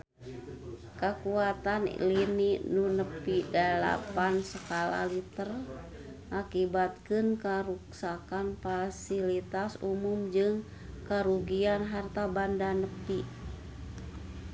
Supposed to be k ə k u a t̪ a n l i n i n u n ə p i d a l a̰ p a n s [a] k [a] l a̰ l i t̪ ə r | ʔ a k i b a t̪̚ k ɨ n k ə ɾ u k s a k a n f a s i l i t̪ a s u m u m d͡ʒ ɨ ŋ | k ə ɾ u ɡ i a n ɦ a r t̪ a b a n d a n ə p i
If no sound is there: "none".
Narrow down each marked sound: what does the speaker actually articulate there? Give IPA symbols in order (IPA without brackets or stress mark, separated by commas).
ə, a